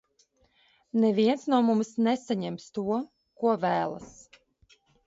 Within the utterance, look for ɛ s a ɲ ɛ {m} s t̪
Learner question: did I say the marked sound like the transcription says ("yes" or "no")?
yes